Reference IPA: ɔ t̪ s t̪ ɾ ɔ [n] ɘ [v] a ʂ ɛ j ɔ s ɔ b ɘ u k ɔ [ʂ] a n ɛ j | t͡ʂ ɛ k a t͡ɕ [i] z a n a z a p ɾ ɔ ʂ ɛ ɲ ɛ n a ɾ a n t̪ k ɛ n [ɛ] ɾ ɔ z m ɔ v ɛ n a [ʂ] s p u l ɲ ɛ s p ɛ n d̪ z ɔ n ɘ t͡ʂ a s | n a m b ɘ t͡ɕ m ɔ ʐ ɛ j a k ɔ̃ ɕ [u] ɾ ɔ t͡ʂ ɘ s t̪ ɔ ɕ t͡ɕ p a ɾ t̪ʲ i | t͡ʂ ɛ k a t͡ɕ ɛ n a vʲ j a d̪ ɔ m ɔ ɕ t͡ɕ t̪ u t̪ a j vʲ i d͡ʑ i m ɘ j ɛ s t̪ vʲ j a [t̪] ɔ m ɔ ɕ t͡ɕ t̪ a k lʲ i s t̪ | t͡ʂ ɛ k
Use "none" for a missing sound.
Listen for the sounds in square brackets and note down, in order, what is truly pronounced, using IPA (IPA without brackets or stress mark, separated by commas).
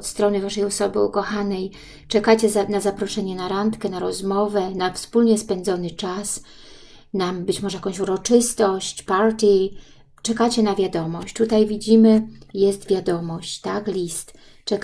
n, v, x, ɛ, a, f, u, d̪